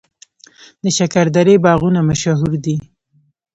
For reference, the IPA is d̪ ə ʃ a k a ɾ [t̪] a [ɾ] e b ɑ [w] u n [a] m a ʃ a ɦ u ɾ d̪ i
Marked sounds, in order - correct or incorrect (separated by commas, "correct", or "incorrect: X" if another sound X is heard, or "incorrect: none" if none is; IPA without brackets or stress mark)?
incorrect: d̪, correct, incorrect: ɣ, correct